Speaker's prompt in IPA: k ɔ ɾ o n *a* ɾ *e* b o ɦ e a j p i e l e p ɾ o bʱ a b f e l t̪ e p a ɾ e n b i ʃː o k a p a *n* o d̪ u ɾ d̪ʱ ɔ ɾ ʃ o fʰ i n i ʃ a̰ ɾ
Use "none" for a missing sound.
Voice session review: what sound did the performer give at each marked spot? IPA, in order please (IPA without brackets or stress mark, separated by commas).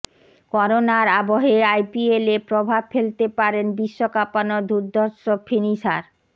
a, a, n